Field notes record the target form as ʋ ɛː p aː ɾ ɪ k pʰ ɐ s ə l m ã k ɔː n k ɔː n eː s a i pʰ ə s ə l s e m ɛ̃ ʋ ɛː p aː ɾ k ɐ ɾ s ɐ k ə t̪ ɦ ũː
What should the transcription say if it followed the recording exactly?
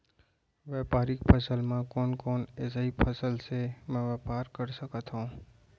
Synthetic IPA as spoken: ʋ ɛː p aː ɾ ɪ k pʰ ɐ s ə l m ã k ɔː n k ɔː n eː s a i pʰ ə s ə l s e m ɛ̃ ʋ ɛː p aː ɾ k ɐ ɾ s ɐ k ə t̪ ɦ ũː